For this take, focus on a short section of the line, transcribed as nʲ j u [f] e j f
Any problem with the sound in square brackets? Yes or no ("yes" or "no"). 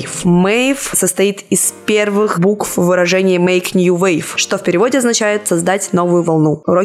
yes